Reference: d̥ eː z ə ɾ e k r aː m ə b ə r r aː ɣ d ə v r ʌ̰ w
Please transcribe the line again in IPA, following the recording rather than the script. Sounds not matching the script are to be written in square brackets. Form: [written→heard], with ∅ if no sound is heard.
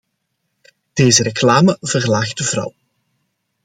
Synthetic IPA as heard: d̥ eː z ə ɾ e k [r→l] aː m ə [b→v] ə r [r→l] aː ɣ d ə v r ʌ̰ w